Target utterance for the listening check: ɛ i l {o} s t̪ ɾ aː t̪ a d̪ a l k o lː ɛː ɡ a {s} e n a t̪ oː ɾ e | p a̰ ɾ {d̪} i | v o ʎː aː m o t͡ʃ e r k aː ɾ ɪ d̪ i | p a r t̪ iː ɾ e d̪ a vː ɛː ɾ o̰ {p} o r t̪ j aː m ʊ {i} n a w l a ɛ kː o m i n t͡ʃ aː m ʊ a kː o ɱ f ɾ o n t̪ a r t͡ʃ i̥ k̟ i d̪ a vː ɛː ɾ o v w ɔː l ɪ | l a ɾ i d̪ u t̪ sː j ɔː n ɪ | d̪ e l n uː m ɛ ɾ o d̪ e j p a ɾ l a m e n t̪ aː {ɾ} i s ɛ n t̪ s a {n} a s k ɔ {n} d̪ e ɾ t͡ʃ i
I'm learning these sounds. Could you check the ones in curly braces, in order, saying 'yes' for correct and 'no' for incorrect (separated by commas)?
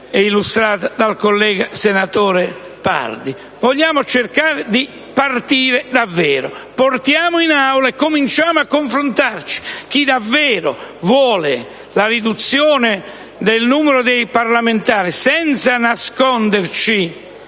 no, yes, yes, yes, yes, yes, yes, yes